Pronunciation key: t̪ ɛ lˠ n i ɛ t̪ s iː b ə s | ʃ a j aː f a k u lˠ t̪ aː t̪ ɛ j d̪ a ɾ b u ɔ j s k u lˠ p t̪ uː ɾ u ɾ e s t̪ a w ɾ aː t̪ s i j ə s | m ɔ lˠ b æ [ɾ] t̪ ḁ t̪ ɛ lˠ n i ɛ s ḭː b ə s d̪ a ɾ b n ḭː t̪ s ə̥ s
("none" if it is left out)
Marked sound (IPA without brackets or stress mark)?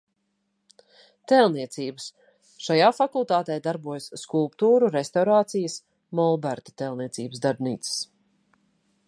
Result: ɾ